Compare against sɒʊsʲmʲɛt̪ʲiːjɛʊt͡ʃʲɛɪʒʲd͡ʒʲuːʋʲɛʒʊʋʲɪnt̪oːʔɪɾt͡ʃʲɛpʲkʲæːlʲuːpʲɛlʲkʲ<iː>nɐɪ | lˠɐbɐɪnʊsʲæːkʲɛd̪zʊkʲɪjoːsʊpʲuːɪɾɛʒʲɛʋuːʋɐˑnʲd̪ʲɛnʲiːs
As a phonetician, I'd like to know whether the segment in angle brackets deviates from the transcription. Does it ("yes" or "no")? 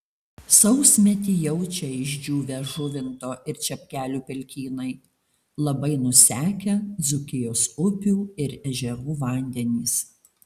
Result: no